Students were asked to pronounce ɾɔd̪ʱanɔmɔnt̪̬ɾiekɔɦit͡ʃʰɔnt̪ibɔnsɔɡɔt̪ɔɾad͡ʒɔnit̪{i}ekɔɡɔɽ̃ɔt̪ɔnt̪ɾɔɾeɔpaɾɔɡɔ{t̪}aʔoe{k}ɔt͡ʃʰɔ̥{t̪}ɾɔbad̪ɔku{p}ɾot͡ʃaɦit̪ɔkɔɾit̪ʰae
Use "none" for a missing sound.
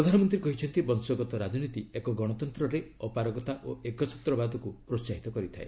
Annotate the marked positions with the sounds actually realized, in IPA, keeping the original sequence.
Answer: i, t̪, k, t̪, p

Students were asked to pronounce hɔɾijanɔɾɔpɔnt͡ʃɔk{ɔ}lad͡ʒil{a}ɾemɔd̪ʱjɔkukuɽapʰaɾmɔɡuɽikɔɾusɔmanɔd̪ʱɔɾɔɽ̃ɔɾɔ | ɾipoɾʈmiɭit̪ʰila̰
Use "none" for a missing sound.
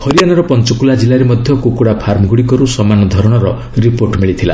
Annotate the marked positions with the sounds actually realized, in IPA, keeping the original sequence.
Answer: u, a

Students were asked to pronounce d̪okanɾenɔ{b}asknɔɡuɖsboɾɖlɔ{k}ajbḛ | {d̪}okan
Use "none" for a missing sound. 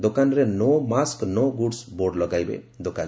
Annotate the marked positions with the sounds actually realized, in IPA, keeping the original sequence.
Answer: m, ɡ, d̪

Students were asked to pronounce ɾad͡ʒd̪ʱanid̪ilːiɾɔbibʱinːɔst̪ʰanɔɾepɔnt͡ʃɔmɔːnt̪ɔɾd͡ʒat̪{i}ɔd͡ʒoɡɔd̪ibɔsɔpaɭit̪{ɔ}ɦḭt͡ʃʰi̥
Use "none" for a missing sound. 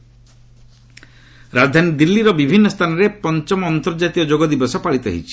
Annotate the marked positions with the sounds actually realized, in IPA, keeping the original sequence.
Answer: i, ɔ

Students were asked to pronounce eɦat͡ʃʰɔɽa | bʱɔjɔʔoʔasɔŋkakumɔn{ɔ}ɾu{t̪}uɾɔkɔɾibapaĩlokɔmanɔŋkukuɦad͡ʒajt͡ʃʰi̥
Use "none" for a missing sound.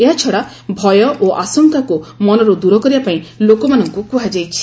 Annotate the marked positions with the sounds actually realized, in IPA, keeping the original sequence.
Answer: ɔ, d̪

